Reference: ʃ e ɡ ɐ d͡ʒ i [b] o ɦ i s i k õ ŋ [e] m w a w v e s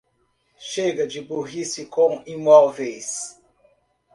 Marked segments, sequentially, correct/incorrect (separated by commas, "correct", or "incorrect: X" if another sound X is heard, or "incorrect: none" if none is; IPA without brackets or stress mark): correct, incorrect: i